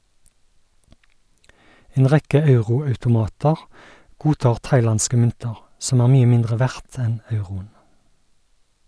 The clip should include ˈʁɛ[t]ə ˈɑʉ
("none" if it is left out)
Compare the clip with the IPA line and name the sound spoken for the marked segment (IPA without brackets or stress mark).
k